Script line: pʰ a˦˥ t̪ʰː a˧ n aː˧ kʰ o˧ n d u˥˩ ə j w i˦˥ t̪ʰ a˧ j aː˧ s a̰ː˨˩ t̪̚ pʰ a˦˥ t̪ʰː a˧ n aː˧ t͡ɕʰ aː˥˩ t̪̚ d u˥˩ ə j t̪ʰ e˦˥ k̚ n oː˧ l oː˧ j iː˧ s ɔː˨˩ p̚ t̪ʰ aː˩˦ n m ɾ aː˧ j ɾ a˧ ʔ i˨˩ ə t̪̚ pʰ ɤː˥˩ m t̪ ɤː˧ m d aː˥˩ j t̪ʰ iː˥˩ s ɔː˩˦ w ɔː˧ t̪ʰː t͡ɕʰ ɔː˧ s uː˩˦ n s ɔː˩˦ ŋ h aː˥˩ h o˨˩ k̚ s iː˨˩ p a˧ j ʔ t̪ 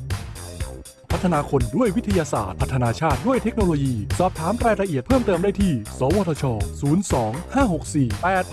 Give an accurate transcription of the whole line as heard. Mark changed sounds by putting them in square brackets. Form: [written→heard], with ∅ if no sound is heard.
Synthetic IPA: pʰ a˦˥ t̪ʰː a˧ n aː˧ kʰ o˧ n d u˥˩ ə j w i˦˥ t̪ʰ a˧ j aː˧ s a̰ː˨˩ t̪̚ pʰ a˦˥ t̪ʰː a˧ n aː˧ t͡ɕʰ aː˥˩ t̪̚ d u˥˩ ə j t̪ʰ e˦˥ k̚ n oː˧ l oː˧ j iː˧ s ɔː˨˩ p̚ t̪ʰ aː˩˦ [n→∅] m ɾ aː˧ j ɾ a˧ ʔ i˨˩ ə t̪̚ pʰ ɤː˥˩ m t̪ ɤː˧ m d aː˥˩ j t̪ʰ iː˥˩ s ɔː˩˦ w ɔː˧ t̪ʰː t͡ɕʰ ɔː˧ s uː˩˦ n s ɔː˩˦ ŋ h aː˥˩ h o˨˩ k̚ s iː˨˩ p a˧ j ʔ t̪